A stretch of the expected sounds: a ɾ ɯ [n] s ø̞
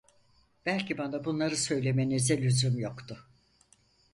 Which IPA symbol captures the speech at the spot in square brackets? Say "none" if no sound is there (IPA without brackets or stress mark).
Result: none